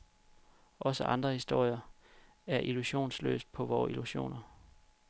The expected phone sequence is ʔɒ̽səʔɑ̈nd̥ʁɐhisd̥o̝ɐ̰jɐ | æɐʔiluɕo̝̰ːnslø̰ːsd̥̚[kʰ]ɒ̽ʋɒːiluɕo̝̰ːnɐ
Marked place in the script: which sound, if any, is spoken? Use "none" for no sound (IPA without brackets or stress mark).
pʰ